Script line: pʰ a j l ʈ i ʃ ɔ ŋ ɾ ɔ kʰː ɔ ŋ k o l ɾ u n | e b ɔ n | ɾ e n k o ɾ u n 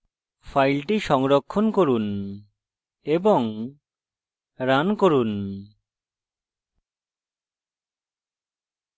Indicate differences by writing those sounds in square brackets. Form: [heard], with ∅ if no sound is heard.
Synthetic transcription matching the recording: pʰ a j l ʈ i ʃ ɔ ŋ ɾ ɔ kʰː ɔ [n] k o [∅] ɾ u n | e b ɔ [ŋ] | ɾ [a] n k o ɾ u n